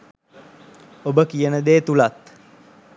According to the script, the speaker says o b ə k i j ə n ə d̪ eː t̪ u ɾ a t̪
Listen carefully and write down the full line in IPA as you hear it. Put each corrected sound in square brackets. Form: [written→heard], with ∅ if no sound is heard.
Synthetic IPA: o b ə k i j ə n ə d̪ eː t̪ u [ɾ→l] a t̪